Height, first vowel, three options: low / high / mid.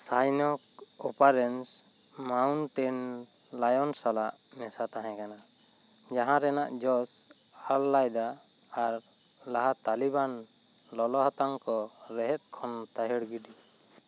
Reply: low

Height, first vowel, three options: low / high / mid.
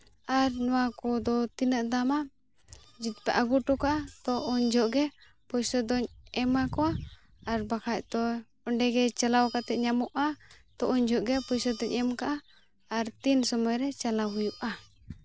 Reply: low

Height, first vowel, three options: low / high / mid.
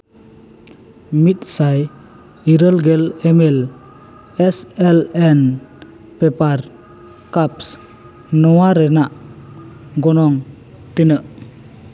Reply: high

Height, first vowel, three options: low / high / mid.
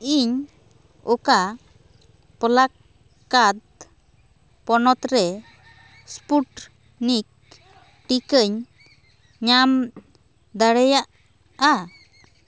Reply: high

